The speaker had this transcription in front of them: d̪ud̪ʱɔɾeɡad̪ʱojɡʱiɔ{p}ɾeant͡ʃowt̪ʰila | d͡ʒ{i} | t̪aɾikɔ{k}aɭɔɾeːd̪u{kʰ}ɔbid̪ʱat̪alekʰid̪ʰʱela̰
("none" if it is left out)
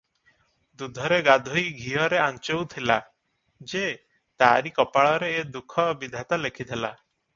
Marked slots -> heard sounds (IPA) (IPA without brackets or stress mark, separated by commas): none, e, p, kʰ